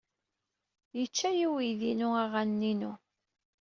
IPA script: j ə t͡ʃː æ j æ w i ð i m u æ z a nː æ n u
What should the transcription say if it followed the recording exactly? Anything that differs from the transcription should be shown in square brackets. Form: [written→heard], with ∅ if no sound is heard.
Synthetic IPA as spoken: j ə t͡ʃː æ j [æ→i] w i ð i [m→n] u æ [z→ʁ] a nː [æ→i] n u